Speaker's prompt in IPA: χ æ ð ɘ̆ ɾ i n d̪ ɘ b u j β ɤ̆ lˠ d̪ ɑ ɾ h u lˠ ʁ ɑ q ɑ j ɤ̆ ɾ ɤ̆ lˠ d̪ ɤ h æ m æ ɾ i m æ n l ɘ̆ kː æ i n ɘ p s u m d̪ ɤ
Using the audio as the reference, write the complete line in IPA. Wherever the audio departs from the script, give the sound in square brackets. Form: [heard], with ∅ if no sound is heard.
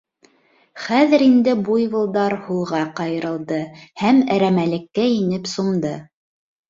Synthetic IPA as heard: χ æ ð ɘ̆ ɾ i n d̪ ɘ b u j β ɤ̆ lˠ d̪ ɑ ɾ h u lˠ ʁ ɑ q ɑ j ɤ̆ ɾ ɤ̆ lˠ d̪ ɤ h æ m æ ɾ [æ] m æ [∅] l ɘ̆ kː æ i n ɘ p s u m d̪ ɤ